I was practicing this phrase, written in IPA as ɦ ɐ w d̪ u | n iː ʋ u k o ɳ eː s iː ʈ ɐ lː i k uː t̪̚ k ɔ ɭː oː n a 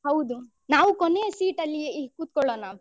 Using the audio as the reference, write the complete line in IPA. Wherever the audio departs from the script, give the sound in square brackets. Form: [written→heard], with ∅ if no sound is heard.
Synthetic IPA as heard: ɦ ɐ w d̪ u | n [iː→aː] ʋ u k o [ɳ→n] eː s iː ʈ ɐ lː i k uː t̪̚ k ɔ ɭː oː n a

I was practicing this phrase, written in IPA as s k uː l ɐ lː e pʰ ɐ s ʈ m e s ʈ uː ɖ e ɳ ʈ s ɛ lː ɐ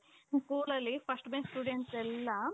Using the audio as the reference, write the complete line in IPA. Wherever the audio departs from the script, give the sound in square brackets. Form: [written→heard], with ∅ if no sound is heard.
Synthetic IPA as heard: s k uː l ɐ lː [e→i] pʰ ɐ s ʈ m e s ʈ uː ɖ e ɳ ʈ s ɛ lː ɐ

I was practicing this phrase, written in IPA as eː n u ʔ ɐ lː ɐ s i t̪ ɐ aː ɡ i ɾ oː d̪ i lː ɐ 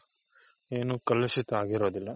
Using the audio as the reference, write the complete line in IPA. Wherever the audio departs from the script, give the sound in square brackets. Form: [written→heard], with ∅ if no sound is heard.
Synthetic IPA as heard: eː n u [ʔ→k] ɐ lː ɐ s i t̪ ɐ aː ɡ i ɾ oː d̪ i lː ɐ

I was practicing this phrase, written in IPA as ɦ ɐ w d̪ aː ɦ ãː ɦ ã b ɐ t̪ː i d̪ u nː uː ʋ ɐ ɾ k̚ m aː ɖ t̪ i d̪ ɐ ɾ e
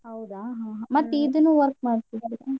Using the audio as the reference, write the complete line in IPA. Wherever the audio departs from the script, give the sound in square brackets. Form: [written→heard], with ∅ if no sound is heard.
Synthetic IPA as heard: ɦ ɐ w d̪ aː ɦ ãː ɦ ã [b→m] ɐ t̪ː i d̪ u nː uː ʋ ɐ ɾ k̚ m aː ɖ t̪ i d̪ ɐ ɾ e

